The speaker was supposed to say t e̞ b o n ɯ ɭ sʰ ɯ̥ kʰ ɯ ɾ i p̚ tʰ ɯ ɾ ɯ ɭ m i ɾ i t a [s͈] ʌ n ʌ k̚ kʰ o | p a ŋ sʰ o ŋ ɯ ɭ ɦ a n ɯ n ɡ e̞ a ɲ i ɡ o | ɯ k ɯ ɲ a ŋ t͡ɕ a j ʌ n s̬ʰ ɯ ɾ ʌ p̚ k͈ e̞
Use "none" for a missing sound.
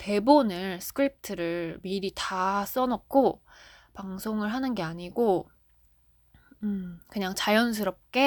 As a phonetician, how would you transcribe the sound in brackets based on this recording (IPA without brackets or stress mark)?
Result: s͈